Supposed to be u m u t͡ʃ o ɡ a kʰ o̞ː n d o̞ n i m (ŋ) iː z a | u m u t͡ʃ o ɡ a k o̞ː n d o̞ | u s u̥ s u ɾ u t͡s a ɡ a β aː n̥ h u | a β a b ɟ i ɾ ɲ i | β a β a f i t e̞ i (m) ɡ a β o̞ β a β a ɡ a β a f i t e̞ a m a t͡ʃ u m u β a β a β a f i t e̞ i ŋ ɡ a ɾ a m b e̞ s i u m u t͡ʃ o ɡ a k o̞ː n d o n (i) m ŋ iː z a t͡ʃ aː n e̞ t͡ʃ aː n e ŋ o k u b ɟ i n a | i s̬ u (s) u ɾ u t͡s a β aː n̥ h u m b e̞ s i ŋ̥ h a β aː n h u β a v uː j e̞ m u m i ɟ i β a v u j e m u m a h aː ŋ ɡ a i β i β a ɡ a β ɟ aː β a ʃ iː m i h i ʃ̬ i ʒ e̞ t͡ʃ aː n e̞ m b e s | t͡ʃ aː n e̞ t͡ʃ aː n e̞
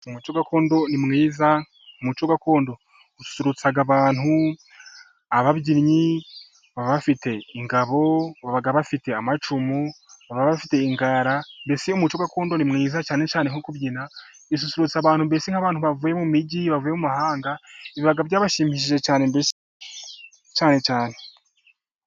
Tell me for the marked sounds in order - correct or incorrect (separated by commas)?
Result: correct, incorrect, correct, correct